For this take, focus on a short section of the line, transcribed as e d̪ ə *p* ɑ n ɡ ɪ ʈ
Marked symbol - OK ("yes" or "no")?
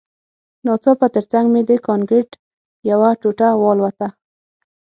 no